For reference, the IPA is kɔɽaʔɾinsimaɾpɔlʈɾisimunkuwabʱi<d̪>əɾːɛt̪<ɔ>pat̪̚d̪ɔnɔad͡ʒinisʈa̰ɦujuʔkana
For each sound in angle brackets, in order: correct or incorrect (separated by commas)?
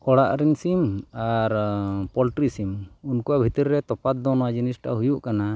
incorrect, correct